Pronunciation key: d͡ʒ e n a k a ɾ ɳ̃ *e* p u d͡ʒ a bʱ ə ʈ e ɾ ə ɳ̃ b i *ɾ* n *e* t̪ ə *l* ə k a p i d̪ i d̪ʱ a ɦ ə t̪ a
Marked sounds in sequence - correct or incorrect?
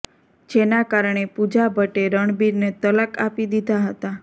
correct, correct, correct, correct

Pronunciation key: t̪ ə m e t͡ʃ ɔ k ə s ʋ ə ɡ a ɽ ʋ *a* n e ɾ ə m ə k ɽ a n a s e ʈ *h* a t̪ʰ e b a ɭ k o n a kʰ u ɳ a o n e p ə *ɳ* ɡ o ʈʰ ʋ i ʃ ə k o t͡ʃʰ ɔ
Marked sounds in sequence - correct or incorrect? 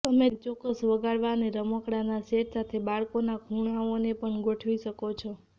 correct, incorrect: s, correct

